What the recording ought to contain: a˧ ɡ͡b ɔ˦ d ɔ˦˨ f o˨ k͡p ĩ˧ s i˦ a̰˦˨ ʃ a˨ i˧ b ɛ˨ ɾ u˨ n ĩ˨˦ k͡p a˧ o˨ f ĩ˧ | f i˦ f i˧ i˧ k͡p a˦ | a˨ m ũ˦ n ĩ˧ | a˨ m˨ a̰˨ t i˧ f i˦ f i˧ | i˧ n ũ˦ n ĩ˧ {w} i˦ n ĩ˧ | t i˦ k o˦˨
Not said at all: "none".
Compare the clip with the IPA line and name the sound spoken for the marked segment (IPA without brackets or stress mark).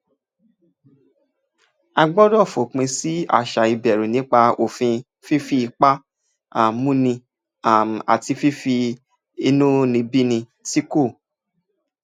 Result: b